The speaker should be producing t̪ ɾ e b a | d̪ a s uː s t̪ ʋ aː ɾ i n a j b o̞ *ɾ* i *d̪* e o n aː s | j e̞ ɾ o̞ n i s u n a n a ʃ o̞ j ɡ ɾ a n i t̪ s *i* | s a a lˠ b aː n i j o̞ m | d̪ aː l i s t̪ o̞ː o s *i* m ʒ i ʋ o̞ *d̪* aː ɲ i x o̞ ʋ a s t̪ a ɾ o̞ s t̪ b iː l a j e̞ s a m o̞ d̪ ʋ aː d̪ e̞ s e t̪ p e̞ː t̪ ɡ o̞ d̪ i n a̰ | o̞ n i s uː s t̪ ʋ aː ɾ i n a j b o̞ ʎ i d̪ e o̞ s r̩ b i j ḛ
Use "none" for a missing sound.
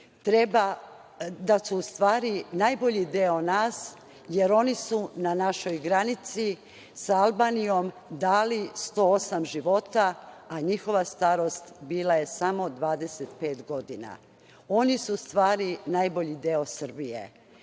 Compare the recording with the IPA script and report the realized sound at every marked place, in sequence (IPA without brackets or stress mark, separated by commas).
ʎ, d̪, i, a, t̪